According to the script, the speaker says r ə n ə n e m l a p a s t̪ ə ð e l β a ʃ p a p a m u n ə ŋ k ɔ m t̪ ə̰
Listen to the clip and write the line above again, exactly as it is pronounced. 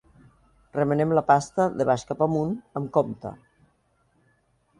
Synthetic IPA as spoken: r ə m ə n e m l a p a s t̪ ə ð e β a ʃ k a p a m u n ə m k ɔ m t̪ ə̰